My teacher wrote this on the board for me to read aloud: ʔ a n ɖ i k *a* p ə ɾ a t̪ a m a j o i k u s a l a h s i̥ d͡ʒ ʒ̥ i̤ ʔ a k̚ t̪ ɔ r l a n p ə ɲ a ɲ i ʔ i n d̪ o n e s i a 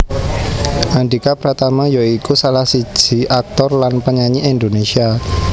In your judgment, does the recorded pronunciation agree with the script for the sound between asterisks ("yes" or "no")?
yes